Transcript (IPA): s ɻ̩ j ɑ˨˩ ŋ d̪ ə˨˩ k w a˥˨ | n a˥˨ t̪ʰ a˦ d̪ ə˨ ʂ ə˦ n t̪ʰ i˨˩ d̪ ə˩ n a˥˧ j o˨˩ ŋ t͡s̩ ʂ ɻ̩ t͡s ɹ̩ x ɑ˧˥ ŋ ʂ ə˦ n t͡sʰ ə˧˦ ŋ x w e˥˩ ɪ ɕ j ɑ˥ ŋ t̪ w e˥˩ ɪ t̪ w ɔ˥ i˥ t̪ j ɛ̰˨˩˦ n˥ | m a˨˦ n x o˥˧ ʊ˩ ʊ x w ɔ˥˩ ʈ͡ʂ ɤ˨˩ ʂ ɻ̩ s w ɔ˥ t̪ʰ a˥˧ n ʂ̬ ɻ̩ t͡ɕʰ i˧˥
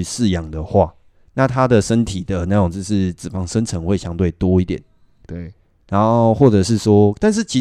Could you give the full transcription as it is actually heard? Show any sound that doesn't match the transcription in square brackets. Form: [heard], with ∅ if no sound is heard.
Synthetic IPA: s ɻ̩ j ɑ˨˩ ŋ d̪ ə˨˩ [x] w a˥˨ | n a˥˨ t̪ʰ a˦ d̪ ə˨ ʂ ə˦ n t̪ʰ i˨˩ d̪ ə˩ n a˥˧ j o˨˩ ŋ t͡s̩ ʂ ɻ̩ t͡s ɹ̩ [f] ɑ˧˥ ŋ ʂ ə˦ n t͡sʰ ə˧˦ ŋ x w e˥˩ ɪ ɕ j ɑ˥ ŋ t̪ w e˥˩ ɪ t̪ w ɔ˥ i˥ t̪ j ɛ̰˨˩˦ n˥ | [n] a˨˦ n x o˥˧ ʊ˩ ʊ x w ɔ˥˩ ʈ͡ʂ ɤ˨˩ ʂ ɻ̩ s w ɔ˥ [t̪] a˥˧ n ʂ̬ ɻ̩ t͡ɕʰ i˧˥